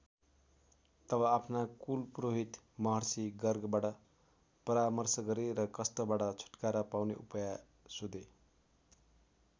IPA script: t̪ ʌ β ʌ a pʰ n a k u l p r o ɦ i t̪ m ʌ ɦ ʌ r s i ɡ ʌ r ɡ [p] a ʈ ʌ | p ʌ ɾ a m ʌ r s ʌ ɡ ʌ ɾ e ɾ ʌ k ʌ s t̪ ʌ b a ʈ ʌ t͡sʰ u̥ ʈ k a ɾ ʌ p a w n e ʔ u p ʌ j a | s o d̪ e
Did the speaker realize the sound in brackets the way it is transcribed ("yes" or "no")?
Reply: no